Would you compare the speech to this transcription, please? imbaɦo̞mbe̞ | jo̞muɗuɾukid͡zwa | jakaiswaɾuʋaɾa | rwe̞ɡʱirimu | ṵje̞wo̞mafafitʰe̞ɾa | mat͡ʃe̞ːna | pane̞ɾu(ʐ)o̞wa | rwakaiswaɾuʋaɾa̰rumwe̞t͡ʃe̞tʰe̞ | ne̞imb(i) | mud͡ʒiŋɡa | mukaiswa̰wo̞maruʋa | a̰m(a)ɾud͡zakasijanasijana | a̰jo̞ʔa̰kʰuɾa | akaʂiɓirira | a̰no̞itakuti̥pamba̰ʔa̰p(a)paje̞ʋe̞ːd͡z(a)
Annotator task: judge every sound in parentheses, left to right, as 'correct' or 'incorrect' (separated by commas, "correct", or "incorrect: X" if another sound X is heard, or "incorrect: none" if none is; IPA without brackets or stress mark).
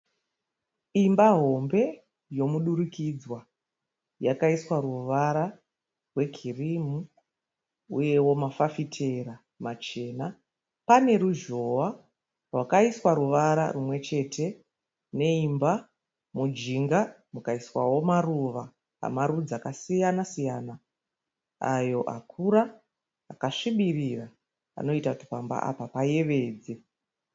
incorrect: ʒ, incorrect: a, correct, correct, incorrect: e